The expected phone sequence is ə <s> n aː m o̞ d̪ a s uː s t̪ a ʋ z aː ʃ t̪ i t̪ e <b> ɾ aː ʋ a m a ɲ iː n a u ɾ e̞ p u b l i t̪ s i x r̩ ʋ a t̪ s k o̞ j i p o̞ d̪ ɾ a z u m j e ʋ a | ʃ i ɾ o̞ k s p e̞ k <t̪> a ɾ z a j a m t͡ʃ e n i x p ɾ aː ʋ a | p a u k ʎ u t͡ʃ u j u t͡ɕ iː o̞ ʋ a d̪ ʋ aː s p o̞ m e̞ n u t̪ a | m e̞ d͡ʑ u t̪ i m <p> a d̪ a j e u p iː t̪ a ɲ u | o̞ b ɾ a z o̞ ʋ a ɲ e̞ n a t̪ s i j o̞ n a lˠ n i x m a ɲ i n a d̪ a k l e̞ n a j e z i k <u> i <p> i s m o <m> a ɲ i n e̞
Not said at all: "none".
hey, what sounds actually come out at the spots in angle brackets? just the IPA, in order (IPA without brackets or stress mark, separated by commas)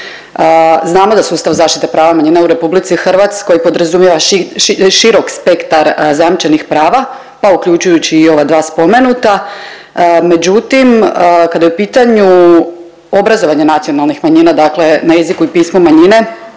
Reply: z, p, t̪, k, u, p, m